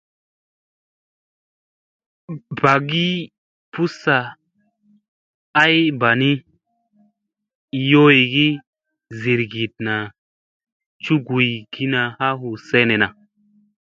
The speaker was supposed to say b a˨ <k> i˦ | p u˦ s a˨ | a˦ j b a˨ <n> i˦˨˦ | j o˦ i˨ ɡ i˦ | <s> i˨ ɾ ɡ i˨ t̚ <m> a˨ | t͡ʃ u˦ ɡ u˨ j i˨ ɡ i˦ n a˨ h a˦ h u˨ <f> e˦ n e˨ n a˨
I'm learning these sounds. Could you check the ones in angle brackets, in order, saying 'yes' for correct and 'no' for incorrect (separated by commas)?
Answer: no, yes, no, no, no